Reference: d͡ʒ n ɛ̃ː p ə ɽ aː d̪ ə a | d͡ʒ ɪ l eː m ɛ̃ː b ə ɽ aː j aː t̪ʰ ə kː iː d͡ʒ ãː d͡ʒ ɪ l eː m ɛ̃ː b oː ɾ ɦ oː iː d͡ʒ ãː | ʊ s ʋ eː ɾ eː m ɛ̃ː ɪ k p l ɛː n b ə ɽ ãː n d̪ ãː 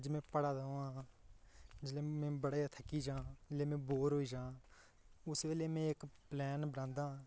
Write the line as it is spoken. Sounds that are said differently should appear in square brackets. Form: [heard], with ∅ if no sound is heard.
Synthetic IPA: d͡ʒ [m] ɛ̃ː p ə ɽ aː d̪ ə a | d͡ʒ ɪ l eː m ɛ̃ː b ə ɽ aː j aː t̪ʰ ə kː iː d͡ʒ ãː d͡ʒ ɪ l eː m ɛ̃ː b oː ɾ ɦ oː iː d͡ʒ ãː | ʊ s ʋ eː [l] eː m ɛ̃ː ɪ k p l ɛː n b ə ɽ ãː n d̪ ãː